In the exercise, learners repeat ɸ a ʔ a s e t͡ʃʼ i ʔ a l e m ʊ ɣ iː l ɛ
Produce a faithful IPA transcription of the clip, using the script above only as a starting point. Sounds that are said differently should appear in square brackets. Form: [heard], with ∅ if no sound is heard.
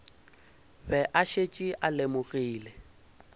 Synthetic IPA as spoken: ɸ [ɛ] ʔ a [ʃ] e t͡ʃʼ i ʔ a l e m ʊ ɣ iː l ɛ

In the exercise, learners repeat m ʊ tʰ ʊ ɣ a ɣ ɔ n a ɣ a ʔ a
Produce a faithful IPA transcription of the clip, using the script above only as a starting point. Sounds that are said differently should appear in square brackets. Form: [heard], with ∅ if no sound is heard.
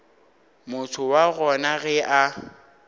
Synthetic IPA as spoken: m ʊ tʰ ʊ [w] a ɣ ɔ n a ɣ [ɛ] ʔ a

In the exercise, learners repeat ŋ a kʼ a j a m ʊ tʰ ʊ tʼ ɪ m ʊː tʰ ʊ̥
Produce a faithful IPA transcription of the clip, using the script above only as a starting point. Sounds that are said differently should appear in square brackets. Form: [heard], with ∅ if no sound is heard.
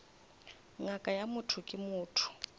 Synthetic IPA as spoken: ŋ a kʼ a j a m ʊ tʰ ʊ [kʼ] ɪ m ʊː tʰ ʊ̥

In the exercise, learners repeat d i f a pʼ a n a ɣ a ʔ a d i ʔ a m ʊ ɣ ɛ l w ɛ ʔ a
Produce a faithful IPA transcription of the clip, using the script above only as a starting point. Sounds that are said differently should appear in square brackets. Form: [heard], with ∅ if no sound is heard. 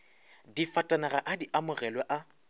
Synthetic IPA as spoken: d i f a [tʼ] a n a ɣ a ʔ a d i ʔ a m ʊ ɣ ɛ l w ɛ ʔ a

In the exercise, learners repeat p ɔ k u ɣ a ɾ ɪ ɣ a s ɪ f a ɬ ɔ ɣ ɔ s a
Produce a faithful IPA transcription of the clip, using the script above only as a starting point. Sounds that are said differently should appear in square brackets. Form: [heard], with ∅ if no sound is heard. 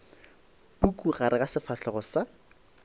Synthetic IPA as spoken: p [u] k u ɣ a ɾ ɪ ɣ a s ɪ f a ɬ ɔ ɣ ɔ s a

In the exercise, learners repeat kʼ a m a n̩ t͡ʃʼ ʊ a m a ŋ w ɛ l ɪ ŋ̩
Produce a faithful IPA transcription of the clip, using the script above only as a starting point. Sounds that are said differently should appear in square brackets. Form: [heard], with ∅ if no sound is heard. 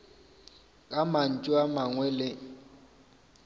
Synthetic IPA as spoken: kʼ a m a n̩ t͡ʃʼ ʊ a m a ŋ w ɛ l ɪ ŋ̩

